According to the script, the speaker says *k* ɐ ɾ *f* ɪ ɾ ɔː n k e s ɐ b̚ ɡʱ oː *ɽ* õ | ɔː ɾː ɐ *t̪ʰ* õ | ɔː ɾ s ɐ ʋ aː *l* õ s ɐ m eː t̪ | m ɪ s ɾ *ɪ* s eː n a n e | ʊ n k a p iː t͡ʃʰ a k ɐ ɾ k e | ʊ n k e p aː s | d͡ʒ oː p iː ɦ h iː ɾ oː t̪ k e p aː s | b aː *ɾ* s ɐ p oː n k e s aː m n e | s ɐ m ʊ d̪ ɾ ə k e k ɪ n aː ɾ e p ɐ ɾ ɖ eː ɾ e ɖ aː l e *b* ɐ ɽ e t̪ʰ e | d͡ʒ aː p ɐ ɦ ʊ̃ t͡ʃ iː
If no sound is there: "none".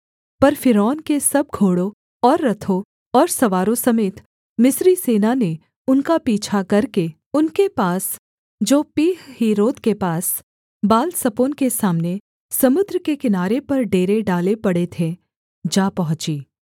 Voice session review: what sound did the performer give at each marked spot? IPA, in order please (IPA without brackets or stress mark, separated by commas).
p, f, ɽ, t̪ʰ, ɾ, i, l, p